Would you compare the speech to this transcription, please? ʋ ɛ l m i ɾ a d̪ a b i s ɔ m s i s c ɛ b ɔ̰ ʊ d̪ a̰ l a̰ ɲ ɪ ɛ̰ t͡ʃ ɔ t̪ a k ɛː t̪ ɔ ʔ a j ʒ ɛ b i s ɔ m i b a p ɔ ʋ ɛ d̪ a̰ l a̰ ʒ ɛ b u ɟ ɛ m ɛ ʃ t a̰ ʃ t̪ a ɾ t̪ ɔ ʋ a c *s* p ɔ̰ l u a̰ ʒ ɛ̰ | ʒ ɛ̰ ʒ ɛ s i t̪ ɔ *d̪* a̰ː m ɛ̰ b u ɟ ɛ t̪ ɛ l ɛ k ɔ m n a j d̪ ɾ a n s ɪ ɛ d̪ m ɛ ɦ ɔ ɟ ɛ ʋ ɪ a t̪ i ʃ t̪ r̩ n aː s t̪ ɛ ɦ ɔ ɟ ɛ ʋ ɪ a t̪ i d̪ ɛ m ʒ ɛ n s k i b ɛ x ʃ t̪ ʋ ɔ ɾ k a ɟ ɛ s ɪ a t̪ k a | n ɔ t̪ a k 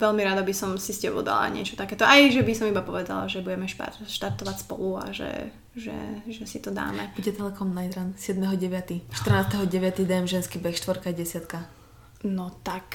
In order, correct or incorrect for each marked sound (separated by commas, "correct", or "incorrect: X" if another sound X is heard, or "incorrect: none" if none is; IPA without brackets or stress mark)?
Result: correct, correct